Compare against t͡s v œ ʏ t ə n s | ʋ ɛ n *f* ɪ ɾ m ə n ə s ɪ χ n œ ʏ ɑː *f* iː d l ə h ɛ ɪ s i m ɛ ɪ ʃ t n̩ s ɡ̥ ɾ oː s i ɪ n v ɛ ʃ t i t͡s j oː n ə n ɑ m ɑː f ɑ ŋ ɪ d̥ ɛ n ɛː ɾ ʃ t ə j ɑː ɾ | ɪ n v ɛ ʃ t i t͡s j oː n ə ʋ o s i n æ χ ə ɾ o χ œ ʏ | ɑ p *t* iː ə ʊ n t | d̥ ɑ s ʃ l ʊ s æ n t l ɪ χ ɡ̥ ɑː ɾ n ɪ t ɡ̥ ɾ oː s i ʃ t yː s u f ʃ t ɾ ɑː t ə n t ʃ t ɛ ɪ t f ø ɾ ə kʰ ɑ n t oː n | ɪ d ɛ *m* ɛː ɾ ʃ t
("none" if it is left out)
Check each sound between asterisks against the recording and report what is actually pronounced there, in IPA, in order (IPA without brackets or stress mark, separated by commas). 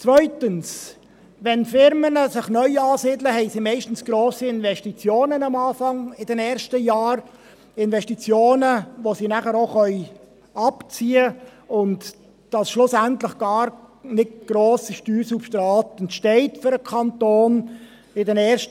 f, s, t͡s, n